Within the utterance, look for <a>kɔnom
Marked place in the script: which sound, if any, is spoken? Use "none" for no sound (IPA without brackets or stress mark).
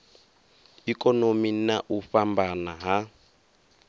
i